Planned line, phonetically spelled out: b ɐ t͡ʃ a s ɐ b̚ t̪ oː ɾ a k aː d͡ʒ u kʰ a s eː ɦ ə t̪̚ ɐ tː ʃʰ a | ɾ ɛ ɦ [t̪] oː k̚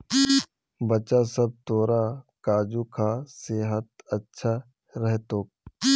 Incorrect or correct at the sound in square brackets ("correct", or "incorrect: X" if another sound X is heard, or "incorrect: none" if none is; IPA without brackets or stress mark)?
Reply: correct